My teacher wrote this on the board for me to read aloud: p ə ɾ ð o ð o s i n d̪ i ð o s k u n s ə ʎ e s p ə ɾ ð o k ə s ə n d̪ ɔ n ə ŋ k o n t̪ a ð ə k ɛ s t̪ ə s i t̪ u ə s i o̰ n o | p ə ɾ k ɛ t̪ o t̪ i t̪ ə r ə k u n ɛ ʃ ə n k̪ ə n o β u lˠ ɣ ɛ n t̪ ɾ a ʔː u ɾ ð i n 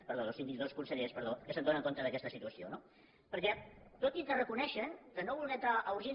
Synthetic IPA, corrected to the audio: p ə ɾ ð o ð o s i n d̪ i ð o s k u n s ə ʎ e s p ə ɾ ð o k ə s ə n d̪ o n ə ŋ k o n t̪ ə ð ə k ɛ s t̪ ə s i t̪ u ə s i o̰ n o | p ə ɾ k ɛ t̪ o t̪ i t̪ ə r ə k u n ɛ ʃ ə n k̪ ə n o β u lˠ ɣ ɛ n t̪ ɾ a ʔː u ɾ ʒ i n